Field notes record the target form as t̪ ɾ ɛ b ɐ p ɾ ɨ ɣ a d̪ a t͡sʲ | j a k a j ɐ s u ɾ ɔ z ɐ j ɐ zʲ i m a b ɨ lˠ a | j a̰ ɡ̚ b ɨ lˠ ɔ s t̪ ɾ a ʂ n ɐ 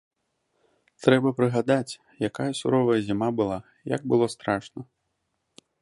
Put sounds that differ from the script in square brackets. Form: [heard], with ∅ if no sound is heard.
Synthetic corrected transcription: t̪ ɾ ɛ b ɐ p ɾ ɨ ɣ a d̪ a t͡sʲ | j a k a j ɐ s u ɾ ɔ [v] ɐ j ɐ zʲ i m a b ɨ lˠ a | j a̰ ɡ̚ b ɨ lˠ ɔ s t̪ ɾ a ʂ n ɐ